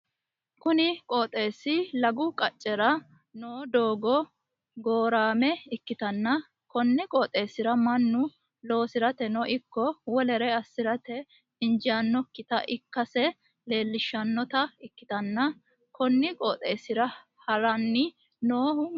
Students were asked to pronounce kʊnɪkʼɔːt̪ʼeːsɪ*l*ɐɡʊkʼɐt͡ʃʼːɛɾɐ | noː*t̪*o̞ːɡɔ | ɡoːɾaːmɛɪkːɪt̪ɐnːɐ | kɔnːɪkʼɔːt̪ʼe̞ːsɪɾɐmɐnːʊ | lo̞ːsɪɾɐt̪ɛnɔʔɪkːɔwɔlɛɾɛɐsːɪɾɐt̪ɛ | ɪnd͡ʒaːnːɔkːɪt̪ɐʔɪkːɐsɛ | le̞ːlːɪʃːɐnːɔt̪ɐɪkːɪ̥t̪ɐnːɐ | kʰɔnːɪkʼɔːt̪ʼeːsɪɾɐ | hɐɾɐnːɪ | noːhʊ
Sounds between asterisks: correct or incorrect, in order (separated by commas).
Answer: correct, incorrect